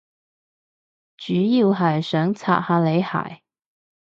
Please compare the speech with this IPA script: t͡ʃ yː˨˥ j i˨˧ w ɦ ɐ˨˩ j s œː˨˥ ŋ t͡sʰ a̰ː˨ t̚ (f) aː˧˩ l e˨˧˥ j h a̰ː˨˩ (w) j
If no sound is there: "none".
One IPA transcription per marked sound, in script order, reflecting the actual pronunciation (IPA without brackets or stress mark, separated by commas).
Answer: h, none